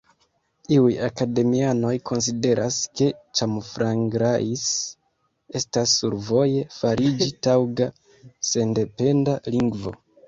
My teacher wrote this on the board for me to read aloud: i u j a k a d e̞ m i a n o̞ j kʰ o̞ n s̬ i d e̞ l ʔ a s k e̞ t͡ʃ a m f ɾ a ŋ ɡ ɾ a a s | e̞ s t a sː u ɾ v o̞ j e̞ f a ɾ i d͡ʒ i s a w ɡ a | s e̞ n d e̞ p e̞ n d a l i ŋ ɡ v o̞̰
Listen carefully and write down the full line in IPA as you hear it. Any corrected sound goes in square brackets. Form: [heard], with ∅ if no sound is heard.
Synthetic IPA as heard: i u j a k a d e̞ m i a n o̞ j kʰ o̞ n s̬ i d e̞ [ɾ] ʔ a s k e̞ t͡ʃ a m f ɾ a ŋ ɡ ɾ a [i] s | e̞ s t a sː u ɾ v o̞ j e̞ f a ɾ i d͡ʒ i [t] a w ɡ a | s e̞ n d e̞ p e̞ n d a l i ŋ ɡ v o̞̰

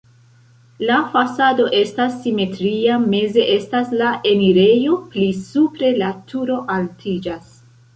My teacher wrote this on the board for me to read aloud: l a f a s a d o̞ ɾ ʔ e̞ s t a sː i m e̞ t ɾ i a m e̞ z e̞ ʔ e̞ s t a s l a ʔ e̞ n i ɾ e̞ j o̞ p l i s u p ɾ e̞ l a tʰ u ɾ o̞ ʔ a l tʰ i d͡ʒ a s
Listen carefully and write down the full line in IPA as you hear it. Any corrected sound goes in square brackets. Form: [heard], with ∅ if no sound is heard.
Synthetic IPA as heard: l a f a s a d o̞ [∅] ʔ e̞ s t a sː i m e̞ t ɾ i a m e̞ z e̞ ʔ e̞ s t a s l a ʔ e̞ n i ɾ e̞ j o̞ p l i s u p ɾ e̞ l a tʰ u ɾ o̞ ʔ a l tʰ i d͡ʒ a s

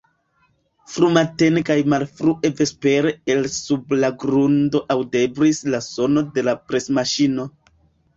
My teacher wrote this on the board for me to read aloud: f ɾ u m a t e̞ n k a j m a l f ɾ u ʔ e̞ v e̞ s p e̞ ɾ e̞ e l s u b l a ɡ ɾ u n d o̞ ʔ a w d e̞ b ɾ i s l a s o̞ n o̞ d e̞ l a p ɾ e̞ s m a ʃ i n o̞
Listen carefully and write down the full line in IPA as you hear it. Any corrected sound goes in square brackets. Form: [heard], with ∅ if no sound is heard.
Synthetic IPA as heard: f ɾ u m a t e̞ n k a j m a l f ɾ u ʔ e̞ v e̞ s p e̞ ɾ e̞ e l s u b l a ɡ ɾ u n d o̞ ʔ a w d e̞ b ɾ i s l a s o̞ n o̞ d e̞ l a p ɾ e̞ s m a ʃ i n o̞

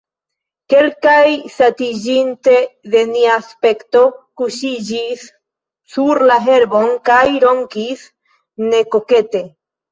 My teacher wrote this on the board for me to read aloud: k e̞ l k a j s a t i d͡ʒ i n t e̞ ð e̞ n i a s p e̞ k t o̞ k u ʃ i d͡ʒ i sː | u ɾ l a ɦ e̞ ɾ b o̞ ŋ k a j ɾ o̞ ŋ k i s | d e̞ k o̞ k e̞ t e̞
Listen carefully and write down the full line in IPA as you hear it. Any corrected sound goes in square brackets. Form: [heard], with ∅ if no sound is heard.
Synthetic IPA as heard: k e̞ l k a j s a t i d͡ʒ i n t e̞ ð e̞ n i a s p e̞ k t o̞ k u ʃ i d͡ʒ i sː | u ɾ l a ɦ e̞ ɾ b o̞ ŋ k a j ɾ o̞ ŋ k i s | [n] e̞ k o̞ k e̞ t e̞

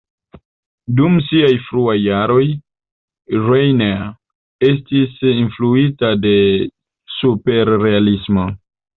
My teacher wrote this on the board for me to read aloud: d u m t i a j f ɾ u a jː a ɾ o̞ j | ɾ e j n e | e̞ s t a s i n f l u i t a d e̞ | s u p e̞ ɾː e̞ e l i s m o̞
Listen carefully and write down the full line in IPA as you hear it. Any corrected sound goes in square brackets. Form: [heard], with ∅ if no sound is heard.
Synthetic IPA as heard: d u m [s] i a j f ɾ u a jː a ɾ o̞ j | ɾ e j n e | e̞ s t [i] s i n f l u i t a d e̞ | s u p e̞ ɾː e̞ [a] l i s m o̞

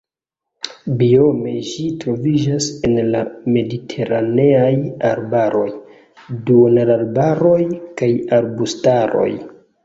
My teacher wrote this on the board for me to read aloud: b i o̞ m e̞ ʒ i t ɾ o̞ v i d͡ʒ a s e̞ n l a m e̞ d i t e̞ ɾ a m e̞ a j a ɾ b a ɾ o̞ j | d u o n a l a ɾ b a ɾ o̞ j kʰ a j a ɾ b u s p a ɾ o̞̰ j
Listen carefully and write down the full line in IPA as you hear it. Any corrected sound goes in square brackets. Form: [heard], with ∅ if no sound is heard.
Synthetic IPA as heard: b i o̞ m e̞ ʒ i t ɾ o̞ v i d͡ʒ a s e̞ n l a m e̞ d i [tʰ] e̞ ɾ a [n] e̞ a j a ɾ b a ɾ o̞ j | d u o n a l a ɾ b a ɾ o̞ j [k] a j a ɾ b u s [t] a ɾ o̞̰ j

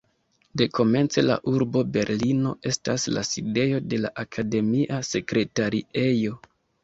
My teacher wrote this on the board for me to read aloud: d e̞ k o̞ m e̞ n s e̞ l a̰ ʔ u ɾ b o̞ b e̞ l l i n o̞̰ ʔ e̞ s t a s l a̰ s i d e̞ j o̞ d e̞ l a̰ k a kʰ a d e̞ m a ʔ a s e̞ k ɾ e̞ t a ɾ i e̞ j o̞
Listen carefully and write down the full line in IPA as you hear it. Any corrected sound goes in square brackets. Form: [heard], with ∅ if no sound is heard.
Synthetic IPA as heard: d e̞ k o̞ m e̞ n [t͡s] e̞ l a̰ ʔ u ɾ b o̞ b e̞ [ɾ] l i n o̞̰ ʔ e̞ s t a s l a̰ s i d e̞ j o̞ d e̞ l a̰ [ʔ] a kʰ a d e̞ m [i] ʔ a s e̞ k ɾ e̞ t a ɾ i e̞ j o̞

